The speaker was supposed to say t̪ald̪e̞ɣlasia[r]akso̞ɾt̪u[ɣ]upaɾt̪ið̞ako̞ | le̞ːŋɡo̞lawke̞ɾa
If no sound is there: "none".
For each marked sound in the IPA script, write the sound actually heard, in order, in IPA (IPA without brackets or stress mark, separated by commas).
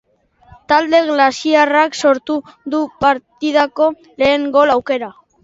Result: r, ð